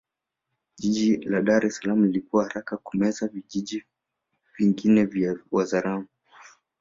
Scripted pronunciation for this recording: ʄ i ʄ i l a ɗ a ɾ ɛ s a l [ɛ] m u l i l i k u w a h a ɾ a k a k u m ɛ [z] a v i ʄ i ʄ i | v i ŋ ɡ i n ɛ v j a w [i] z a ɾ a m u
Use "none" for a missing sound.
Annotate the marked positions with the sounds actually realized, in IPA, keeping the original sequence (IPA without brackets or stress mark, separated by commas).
a, z, a